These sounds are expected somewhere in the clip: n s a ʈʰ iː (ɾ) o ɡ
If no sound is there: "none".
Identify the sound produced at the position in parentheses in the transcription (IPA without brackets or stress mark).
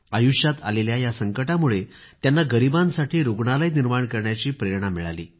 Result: ɾ